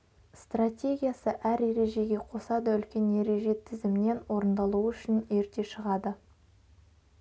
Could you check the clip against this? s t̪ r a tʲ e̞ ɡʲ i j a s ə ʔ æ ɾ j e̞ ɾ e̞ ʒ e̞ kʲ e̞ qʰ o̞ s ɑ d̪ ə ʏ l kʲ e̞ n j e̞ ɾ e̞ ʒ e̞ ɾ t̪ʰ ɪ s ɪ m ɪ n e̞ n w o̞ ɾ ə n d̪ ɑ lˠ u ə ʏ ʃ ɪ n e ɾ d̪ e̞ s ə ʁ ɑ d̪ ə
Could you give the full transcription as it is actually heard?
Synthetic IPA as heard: s t̪ r a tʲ e̞ ɡʲ i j a s ə ʔ æ ɾ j e̞ ɾ e̞ ʒ e̞ ɡʲ e̞ qʰ o̞ s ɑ d̪ ə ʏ l kʲ e̞ n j e̞ ɾ e̞ ʒ e̞ t̪ʰ ɪ z ɪ m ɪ n e̞ n w o̞ ɾ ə n d̪ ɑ lˠ u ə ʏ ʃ ɪ n e ɾ t̪ e̞ ʃ ə ʁ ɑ d̪ ə

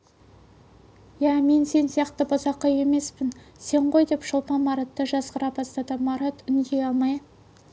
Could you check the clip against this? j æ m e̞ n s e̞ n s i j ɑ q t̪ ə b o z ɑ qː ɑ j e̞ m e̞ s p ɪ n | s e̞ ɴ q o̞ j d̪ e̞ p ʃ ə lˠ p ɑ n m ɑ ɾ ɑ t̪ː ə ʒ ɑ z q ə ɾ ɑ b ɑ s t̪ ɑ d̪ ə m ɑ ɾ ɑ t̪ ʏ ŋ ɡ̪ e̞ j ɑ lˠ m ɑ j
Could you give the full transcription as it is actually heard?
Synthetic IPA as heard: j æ m e̞ n s e̞ n s i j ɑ q t̪ ə b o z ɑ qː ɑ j e̞ m e̞ s p ɪ n | s e̞ ɴ q o̞ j d̪ e̞ p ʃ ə lˠ p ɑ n m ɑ ɾ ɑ t̪ː ə ʒ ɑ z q ə ɾ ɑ b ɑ s t̪ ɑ d̪ ə m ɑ ɾ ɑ t̪ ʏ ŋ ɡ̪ e̞ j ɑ lˠ m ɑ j

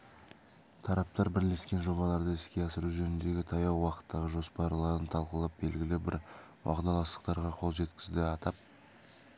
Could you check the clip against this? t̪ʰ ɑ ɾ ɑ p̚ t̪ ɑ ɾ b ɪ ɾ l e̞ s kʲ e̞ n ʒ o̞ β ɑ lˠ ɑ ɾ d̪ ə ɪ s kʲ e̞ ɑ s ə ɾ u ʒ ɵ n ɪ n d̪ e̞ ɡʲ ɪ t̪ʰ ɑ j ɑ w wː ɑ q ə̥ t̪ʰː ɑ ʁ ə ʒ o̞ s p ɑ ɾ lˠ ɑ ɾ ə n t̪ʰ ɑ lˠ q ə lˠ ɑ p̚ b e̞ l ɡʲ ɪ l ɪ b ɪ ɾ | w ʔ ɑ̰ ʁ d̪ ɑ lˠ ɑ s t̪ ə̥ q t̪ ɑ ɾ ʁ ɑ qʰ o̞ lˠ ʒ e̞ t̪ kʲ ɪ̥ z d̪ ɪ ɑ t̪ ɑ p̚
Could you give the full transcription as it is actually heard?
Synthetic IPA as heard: t̪ʰ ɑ ɾ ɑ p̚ t̪ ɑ ɾ b ɪ ɾ l e̞ s kʲ e̞ n ʒ o̞ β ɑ lˠ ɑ ɾ d̪ ə ɪ s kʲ e̞ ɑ s ə ɾ u ʒ ɵ n ɪ n d̪ e̞ ɡʲ ɪ t̪ʰ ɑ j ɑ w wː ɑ q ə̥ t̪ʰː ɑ ʁ ə ʒ o̞ s p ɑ ɾ lˠ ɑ ɾ ə n t̪ʰ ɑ lˠ q ə lˠ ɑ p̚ b e̞ l ɡʲ ɪ l ɪ b ɪ ɾ | w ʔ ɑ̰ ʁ d̪ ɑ lˠ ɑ s t̪ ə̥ q t̪ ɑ ɾ ʁ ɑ qʰ o̞ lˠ ʒ e̞ t̪ kʲ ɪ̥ z d̪ ɪ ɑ t̪ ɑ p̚

